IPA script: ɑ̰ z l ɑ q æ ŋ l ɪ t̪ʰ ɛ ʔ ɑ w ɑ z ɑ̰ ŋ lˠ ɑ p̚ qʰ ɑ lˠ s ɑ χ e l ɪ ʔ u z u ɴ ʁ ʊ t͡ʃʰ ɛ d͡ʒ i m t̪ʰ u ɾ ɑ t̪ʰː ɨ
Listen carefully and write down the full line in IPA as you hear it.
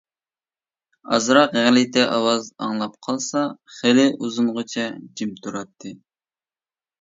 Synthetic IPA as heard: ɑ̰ z ɾ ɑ q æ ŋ l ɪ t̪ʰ ɛ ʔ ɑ w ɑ z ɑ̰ ŋ lˠ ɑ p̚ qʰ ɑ lˠ s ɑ χ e l ɪ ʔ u z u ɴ ʁ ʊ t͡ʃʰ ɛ d͡ʒ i m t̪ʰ u ɾ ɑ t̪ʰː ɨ